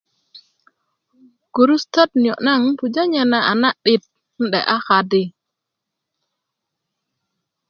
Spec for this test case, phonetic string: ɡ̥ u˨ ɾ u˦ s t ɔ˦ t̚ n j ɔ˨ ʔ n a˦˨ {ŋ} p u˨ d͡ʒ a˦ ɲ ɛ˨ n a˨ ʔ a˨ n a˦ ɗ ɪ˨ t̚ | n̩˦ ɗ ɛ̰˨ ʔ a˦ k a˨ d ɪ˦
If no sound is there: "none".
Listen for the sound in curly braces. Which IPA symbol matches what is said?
ŋ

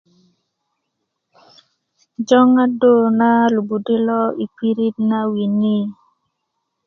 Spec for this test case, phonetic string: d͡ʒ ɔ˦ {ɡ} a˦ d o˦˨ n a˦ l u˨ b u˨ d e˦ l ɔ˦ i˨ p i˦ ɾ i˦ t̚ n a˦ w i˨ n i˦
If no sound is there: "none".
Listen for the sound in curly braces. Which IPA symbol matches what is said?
ŋ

